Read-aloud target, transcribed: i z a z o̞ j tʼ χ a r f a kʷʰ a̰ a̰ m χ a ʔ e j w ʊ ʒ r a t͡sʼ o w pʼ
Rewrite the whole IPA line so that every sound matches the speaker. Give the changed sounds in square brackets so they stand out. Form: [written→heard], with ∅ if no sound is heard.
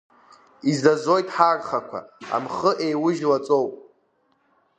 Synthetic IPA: i z a z o̞ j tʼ [χ→ħ] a r [f→χ] a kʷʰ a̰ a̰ m χ [a→ə] ʔ e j w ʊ ʒ [r→l] a t͡sʼ o w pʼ

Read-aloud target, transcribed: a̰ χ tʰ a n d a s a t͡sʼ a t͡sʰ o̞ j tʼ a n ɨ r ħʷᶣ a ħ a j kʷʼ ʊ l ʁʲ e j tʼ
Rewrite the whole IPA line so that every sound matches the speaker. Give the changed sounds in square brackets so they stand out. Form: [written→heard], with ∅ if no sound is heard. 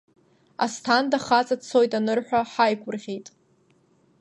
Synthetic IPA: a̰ [χ→s] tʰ a n d a [s→χ] a t͡sʼ a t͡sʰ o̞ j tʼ a n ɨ r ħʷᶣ a ħ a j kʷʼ ʊ [l→r] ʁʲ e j tʼ

